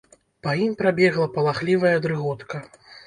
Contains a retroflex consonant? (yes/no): no